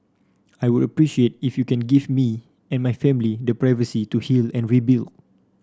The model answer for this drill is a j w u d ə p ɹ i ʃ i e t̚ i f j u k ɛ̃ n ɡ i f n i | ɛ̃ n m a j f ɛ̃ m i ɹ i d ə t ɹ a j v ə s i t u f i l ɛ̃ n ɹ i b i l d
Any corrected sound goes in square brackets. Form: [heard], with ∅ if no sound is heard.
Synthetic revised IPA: a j w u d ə p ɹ i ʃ i e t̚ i f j u k ɛ̃ n ɡ i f [m] i | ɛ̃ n m a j f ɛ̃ m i [l] i d ə [p] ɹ a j v ə s i t u [h] i l ɛ̃ n ɹ i b i l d